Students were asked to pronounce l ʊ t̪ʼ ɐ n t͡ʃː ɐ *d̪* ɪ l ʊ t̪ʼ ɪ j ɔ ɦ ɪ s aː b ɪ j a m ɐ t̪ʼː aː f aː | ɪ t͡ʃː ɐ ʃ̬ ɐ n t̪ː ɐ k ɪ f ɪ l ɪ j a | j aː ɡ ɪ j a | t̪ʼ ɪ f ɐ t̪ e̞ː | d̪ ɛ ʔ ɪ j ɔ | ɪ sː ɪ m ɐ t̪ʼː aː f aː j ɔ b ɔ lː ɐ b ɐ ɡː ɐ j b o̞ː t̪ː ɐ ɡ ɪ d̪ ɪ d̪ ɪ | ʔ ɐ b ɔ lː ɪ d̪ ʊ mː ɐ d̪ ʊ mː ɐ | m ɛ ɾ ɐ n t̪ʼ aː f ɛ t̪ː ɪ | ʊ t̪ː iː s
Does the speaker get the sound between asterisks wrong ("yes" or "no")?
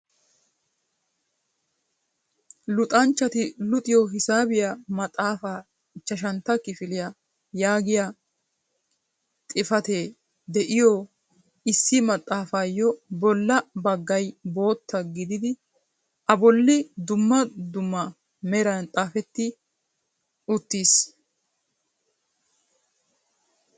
yes